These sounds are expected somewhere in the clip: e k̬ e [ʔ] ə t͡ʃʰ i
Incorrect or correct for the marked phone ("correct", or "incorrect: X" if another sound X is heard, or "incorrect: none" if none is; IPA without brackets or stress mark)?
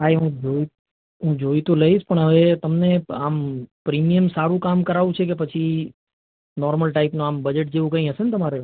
incorrect: p